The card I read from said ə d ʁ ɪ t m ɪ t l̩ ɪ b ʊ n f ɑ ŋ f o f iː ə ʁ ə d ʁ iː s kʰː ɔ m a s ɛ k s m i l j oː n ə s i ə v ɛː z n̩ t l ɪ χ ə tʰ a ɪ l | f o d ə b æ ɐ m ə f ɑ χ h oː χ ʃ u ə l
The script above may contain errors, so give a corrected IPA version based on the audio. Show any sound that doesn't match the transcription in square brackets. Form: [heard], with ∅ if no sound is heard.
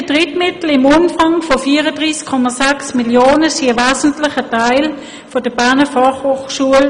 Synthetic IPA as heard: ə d ʁ ɪ t m ɪ t l̩ ɪ [m] ʊ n f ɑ ŋ f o f iː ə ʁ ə d ʁ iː s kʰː ɔ m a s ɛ k s m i l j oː n ə s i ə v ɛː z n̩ t l ɪ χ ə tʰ a ɪ l | f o d ə b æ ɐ [n] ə f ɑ χ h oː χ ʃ u ə l